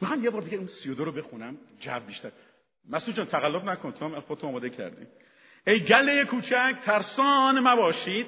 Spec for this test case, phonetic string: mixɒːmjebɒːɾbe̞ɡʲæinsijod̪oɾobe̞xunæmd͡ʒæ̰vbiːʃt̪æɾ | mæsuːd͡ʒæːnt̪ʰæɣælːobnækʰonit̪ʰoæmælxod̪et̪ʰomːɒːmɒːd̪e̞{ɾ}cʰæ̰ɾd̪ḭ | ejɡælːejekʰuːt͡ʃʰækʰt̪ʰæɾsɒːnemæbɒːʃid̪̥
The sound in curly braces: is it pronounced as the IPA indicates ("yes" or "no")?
no